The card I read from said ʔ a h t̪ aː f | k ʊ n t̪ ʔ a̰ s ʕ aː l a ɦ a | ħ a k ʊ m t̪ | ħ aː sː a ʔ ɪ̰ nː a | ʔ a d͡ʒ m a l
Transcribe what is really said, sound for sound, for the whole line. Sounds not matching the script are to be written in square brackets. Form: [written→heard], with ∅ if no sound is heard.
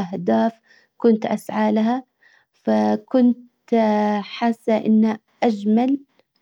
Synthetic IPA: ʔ a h [t̪→d̪] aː f | k ʊ n t̪ ʔ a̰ s ʕ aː l a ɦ a | [ħ→f] a k ʊ [m→n] t̪ | ħ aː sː a ʔ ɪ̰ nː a | ʔ a d͡ʒ m a l